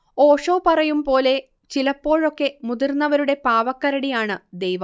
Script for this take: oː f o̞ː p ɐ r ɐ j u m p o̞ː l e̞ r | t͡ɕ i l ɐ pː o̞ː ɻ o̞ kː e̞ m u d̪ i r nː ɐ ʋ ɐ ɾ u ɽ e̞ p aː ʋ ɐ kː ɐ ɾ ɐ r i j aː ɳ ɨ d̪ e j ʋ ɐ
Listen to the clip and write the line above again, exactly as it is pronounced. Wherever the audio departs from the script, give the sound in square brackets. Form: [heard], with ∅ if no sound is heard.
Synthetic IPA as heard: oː [ʂ] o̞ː p ɐ r ɐ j u m p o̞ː l e̞ [∅] | t͡ɕ i l ɐ pː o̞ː ɻ o̞ kː e̞ m u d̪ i r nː ɐ ʋ ɐ ɾ u ɽ e̞ p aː ʋ ɐ kː ɐ ɾ ɐ [ɽ] i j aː ɳ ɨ d̪ e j ʋ ɐ